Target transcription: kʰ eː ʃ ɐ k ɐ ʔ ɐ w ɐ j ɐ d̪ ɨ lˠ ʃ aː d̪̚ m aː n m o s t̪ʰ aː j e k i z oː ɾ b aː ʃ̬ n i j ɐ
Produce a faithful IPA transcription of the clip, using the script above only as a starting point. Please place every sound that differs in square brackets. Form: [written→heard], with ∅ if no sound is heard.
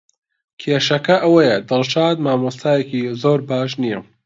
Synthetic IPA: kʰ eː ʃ ɐ k ɐ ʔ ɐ w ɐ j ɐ d̪ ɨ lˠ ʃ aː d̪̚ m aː [n→∅] m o s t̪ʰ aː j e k i z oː ɾ b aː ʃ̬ n i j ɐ